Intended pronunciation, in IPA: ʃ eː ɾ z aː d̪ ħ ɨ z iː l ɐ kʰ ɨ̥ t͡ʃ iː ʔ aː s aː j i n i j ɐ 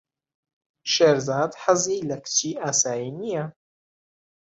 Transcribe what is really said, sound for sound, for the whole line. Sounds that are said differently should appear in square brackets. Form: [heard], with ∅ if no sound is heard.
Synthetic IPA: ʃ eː ɾ z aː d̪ ħ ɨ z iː l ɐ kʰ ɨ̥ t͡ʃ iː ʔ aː s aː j i n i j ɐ